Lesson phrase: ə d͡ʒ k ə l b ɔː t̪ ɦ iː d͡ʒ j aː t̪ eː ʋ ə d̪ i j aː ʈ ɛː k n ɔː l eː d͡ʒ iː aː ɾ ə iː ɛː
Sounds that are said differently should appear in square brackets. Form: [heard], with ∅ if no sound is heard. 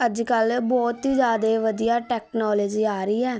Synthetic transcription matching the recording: ə d͡ʒ k ə l b ɔː t̪ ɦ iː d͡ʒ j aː [d̪] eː ʋ ə d̪ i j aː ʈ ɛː k n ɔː l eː d͡ʒ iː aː ɾ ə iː ɛː